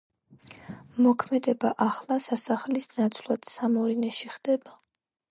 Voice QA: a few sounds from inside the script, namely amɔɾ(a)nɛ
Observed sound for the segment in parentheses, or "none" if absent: i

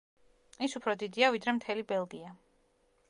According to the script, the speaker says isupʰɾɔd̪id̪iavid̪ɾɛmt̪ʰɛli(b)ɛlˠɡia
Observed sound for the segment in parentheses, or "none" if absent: b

